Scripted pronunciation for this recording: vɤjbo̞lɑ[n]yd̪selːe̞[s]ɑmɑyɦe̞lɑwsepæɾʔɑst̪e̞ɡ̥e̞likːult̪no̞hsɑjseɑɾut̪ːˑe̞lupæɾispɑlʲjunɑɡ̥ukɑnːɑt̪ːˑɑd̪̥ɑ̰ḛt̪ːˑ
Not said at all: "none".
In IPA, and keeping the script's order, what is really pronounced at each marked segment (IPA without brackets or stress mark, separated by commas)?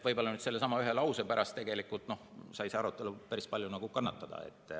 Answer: n, s